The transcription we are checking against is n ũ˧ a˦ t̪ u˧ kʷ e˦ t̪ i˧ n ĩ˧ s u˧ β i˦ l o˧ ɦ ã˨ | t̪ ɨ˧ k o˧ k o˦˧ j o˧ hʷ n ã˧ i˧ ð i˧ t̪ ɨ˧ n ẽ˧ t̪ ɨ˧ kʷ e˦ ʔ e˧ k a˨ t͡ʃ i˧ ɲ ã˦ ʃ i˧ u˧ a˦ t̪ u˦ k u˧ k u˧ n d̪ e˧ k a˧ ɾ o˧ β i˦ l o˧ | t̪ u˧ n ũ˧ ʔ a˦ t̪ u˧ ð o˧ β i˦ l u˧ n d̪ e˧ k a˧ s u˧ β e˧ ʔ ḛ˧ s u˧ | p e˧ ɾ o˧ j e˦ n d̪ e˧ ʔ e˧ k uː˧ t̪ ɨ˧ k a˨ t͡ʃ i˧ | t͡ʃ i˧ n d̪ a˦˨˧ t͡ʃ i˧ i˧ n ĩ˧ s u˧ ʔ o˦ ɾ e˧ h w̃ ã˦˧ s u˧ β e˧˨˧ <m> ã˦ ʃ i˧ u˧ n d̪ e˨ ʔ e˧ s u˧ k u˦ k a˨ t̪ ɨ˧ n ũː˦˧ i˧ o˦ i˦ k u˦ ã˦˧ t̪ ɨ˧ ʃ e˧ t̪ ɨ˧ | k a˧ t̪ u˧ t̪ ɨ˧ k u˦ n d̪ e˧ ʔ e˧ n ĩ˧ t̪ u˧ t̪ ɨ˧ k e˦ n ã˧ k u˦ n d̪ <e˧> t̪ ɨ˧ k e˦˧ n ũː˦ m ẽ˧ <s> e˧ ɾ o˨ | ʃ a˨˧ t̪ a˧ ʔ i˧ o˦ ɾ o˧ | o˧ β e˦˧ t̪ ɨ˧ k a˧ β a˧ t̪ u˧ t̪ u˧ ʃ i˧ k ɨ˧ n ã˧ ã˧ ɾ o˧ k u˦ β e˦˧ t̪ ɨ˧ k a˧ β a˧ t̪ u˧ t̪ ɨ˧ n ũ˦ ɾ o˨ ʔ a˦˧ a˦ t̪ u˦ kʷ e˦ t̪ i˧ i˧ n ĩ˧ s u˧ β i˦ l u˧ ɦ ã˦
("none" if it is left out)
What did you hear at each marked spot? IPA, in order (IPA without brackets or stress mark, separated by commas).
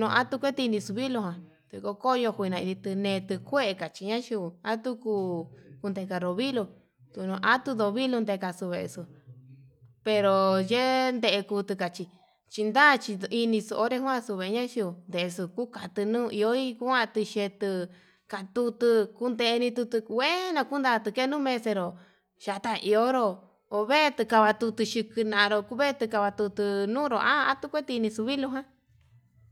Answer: ɲ, a˧, s